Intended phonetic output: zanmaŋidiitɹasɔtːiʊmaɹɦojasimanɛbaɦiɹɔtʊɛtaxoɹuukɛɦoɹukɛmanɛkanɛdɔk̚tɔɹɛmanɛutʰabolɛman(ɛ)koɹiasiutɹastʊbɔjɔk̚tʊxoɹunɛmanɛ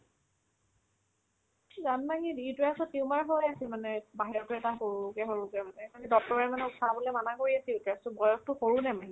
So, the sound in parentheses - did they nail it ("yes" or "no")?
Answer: no